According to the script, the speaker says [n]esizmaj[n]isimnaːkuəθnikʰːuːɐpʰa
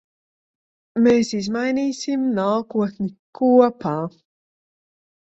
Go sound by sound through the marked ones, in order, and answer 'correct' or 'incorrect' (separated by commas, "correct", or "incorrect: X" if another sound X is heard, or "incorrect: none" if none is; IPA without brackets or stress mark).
incorrect: m, correct